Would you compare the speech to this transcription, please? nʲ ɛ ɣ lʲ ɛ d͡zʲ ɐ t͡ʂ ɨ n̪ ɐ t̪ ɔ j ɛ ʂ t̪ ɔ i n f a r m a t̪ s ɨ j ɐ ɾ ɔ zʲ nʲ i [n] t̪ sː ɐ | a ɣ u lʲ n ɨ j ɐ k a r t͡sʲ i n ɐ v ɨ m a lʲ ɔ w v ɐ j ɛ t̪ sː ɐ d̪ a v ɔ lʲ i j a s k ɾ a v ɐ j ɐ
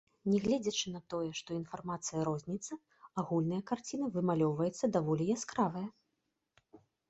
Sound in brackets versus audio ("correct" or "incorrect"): incorrect